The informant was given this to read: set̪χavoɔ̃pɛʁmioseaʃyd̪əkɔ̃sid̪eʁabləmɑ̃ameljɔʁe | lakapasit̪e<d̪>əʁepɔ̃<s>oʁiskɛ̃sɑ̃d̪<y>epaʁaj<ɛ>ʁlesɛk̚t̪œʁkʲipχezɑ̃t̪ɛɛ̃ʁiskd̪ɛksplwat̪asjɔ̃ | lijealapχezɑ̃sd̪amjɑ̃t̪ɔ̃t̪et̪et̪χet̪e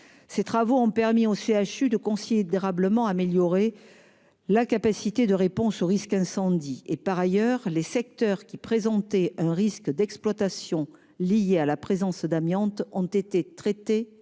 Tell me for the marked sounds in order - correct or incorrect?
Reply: correct, correct, incorrect, incorrect

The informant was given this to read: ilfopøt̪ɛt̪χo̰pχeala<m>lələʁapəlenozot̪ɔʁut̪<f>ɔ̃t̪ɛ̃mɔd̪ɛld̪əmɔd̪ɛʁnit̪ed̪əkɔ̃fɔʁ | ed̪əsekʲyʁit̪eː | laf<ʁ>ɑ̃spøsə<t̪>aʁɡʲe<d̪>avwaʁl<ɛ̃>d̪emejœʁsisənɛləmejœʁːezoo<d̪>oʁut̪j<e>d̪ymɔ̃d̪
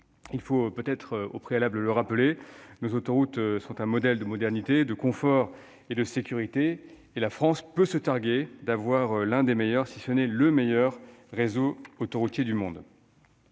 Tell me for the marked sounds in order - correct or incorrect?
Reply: incorrect, incorrect, incorrect, correct, correct, correct, incorrect, correct

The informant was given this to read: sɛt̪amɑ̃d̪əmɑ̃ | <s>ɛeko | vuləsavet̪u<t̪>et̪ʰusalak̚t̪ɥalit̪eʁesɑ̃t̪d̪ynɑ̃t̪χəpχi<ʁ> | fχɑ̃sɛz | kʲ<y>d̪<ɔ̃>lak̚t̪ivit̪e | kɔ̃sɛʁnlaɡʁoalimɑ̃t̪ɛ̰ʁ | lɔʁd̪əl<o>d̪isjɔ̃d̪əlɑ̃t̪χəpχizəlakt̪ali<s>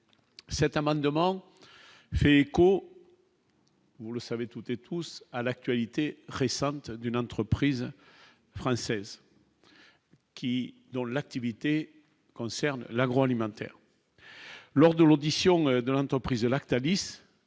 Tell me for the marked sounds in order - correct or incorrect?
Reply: incorrect, correct, incorrect, incorrect, correct, correct, correct

